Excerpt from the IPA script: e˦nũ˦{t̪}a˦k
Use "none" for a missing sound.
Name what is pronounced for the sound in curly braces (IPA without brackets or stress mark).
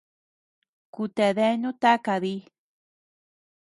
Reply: t̪